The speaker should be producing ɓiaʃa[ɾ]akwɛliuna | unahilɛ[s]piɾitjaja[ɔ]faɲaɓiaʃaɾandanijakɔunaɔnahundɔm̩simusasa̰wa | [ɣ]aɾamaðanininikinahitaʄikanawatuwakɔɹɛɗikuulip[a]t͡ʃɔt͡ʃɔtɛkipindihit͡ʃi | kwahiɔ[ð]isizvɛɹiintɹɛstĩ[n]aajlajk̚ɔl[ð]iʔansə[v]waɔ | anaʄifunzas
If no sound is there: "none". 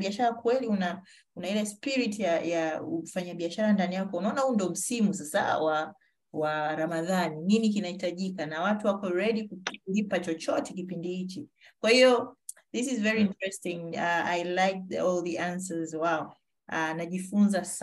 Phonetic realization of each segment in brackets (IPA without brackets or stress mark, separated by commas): ɾ, s, u, w, a, ð, ŋ, ð, z